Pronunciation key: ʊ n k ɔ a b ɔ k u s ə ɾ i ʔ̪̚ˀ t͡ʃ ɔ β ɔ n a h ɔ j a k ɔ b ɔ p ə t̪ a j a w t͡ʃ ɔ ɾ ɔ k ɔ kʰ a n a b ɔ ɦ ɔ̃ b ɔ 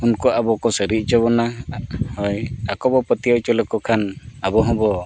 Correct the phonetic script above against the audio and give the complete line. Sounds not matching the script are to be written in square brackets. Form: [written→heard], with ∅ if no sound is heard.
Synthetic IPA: [ʊ→u] n k ɔ a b ɔ k [u→ɔ] s ə ɾ i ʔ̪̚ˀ t͡ʃ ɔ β ɔ n a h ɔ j a k ɔ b ɔ p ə t̪ [a→i] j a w t͡ʃ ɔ [ɾ→l] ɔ k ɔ kʰ a n a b ɔ ɦ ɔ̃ b ɔ